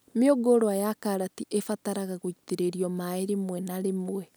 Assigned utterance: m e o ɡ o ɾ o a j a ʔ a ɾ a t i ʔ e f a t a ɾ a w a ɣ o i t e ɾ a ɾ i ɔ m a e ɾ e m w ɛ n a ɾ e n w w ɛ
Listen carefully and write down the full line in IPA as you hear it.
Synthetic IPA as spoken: m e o ɡ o ɾ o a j a k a ɾ a t i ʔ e f a t a ɾ a ɣ a ɣ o i t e ɾ e ɾ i ɔ m a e ɾ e m w ɛ n a ɾ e m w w ɛ